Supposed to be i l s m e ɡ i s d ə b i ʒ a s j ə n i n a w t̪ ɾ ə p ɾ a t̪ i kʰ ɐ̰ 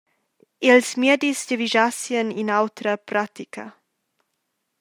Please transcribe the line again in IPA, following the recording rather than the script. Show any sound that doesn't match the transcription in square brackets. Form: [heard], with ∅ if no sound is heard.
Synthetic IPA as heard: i l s m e [d] i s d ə [v] i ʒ a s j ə n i n a w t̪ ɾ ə p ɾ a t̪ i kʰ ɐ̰